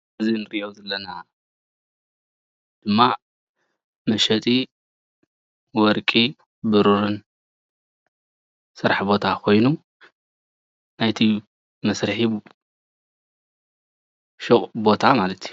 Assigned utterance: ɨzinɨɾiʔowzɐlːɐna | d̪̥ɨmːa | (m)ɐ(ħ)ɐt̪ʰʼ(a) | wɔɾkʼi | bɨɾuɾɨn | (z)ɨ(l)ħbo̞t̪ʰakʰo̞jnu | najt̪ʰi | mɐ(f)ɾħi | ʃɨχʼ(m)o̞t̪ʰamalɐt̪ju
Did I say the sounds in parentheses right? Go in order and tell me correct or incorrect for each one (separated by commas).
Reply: correct, incorrect, incorrect, incorrect, incorrect, incorrect, incorrect